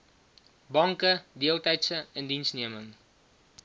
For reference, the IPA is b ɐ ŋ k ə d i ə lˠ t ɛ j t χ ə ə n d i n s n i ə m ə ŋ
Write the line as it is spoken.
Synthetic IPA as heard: b ɐ ŋ k ə d i ə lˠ t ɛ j t s ə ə n d i n s n i ə m ə ŋ

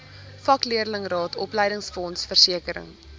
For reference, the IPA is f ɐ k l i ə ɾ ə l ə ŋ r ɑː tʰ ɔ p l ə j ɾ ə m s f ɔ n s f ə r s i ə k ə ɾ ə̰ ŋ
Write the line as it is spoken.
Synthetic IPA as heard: f ɐ k l i ə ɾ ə l ə ŋ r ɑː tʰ ɔ p l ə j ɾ ə ŋ s f ɔ n s f ə r s i ə k ə ɾ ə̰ ŋ

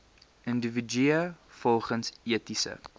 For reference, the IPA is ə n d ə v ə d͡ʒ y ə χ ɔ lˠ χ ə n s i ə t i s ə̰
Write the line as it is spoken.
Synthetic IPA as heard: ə n d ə v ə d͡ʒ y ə f ɔ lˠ χ ə n s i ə t i s ə̰

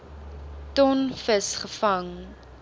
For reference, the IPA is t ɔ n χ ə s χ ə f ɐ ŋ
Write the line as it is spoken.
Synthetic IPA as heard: t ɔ n f ə s χ ə f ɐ ŋ

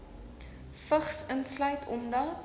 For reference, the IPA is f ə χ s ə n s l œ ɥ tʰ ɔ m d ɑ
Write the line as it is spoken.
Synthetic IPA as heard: f ə χ s ə n s l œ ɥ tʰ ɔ m d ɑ

